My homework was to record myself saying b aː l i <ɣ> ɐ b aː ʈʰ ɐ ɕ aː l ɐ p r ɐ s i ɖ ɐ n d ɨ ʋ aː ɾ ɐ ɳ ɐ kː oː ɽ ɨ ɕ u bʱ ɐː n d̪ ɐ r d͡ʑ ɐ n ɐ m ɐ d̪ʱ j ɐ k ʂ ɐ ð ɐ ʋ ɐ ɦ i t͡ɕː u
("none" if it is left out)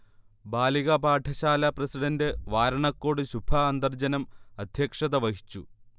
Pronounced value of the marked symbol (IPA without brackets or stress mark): ɣ